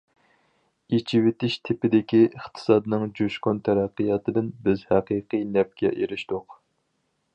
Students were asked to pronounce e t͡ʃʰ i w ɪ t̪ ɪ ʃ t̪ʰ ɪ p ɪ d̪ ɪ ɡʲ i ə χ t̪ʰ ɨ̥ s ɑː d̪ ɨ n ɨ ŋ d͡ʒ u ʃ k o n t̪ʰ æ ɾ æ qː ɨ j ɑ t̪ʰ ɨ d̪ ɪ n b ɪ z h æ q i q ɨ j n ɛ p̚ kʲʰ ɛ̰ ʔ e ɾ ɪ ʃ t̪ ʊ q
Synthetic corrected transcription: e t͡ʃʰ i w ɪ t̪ ɪ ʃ t̪ʰ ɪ p ɪ d̪ ɪ kʲ i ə χ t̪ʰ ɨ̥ s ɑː d̪ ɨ n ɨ ŋ d͡ʒ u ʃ k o n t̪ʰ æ ɾ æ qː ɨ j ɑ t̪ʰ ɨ d̪ ɪ n b ɪ z h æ q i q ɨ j n ɛ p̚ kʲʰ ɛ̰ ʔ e ɾ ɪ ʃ t̪ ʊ q

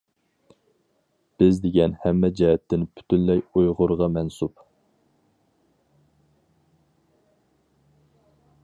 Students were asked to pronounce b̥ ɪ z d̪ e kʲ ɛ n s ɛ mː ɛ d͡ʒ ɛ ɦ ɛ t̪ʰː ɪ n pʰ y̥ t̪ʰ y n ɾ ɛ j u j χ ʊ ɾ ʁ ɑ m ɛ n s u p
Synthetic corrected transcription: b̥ ɪ z d̪ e ɡʲ ɛ n h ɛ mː ɛ d͡ʒ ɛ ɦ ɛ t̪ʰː ɪ n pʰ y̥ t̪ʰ y n l ɛ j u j ʁ ʊ ɾ ʁ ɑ m ɛ n s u p

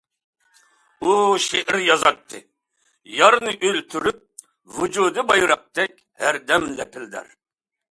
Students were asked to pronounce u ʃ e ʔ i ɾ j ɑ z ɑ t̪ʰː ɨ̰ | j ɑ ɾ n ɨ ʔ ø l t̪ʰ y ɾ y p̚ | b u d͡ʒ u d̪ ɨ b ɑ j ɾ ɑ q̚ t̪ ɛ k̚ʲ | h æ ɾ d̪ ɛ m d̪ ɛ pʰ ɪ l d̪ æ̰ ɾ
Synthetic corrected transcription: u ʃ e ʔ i ɾ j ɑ z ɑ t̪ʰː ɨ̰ | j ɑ ɾ n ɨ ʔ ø l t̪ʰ y ɾ y p̚ | v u d͡ʒ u d̪ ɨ b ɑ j ɾ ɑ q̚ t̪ ɛ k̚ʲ | h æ ɾ d̪ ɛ m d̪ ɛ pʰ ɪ l d̪ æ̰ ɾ

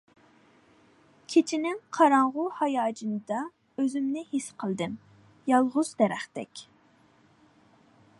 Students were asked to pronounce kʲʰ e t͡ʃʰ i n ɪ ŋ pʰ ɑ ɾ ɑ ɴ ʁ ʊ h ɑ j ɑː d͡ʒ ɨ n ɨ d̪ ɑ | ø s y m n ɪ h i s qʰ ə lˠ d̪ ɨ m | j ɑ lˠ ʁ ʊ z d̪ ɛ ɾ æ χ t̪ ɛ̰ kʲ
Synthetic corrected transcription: kʲʰ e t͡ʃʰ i n ɪ ŋ qʰ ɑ ɾ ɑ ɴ ʁ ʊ h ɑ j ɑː d͡ʒ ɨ n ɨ d̪ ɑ | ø z y m n ɪ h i s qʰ ə lˠ d̪ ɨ m | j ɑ lˠ ʁ ʊ z d̪ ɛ ɾ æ χ t̪ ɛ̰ kʲ

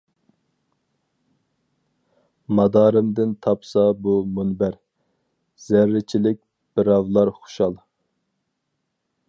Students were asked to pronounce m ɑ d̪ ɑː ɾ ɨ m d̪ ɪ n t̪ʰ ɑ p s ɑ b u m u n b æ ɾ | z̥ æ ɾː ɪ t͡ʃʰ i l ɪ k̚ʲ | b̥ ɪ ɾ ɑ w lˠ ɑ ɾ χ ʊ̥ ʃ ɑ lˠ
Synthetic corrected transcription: m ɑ d̪ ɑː ɾ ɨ m d̪ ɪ n t̪ʰ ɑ p s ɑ b u m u n b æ ɾ | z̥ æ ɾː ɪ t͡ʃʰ i l ɪ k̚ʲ | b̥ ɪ ɾ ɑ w lˠ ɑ ɾ χ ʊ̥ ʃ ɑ lˠ

